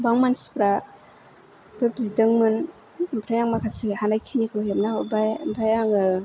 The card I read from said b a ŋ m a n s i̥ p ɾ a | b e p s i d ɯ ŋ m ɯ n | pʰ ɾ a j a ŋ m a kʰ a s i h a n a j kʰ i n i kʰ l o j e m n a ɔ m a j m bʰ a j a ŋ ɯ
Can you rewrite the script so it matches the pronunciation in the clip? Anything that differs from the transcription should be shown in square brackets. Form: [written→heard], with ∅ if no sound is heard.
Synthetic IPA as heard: b a ŋ m a n s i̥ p ɾ a | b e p [s→z] i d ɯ ŋ m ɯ n | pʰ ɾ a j a ŋ m a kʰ a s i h a n a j kʰ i n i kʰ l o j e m n a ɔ [m→b] a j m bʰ a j a ŋ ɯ